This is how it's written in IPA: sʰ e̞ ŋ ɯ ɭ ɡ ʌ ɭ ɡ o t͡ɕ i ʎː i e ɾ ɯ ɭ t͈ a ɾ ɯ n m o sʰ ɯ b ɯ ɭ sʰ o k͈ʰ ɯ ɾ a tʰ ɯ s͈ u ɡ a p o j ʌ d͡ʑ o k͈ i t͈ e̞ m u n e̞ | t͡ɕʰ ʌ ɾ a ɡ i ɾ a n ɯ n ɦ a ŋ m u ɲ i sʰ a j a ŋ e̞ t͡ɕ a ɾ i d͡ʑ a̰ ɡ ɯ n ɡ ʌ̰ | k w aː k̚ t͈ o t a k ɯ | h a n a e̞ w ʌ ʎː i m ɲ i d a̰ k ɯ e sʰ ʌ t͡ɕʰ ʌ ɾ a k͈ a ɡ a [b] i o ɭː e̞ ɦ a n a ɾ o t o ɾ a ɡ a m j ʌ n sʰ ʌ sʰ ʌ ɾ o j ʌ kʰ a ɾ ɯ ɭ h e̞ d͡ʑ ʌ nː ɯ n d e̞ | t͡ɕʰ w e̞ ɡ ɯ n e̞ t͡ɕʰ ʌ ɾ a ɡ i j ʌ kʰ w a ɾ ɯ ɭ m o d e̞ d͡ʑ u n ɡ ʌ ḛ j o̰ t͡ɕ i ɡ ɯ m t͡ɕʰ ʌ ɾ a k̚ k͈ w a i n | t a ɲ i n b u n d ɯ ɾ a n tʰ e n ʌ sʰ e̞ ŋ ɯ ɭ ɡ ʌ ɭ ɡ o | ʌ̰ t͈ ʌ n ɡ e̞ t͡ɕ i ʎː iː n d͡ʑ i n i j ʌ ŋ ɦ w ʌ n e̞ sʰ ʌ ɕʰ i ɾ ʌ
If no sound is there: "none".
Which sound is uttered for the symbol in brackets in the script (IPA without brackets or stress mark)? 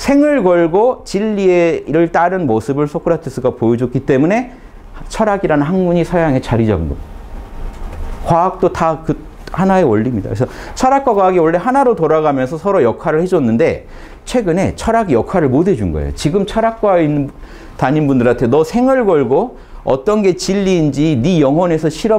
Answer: ɡ